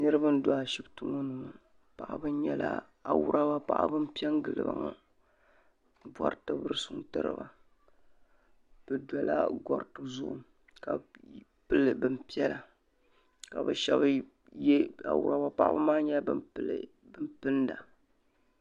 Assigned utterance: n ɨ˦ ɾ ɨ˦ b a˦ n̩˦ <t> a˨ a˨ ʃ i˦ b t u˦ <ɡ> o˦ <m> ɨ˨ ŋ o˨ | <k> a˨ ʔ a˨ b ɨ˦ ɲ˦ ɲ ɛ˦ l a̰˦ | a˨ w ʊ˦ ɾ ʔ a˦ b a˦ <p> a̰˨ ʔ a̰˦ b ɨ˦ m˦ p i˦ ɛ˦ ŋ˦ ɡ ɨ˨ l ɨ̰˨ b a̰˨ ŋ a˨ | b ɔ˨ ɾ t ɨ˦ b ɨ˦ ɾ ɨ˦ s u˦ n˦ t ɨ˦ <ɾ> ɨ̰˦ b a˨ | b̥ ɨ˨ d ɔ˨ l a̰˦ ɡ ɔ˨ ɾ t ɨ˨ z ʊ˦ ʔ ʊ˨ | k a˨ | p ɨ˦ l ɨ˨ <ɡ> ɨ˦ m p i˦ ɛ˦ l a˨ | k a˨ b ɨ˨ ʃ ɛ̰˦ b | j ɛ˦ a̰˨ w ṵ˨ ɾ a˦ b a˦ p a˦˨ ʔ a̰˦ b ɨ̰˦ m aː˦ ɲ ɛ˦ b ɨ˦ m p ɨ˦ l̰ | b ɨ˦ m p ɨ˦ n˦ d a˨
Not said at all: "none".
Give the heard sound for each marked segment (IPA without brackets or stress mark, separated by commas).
d, ŋ, n, p, p, ɾ, b